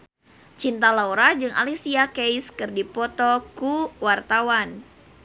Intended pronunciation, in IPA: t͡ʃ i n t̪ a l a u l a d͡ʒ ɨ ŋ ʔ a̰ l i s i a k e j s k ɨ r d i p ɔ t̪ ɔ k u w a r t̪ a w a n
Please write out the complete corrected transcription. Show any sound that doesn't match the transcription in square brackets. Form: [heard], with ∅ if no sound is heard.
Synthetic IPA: t͡ʃ i n t̪ a l a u [ɾ] a d͡ʒ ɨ ŋ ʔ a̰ l i s i a k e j s k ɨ r d i p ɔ t̪ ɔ k u w a r t̪ a w a n